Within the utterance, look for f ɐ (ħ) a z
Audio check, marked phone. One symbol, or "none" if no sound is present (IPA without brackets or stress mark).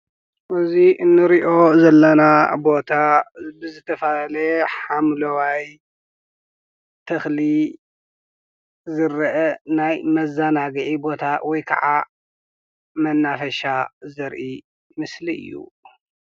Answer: ʃ